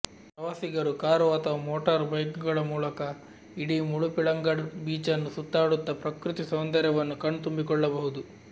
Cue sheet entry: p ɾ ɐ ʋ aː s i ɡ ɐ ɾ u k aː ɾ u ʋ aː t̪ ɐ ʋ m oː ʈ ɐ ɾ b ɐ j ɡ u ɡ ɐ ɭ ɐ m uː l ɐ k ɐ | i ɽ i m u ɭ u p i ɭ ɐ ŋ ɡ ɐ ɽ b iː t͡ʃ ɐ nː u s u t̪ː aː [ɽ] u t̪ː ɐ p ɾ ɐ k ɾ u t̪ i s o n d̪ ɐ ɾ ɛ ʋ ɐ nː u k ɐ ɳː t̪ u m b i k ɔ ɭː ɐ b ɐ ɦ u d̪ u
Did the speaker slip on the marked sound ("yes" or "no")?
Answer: no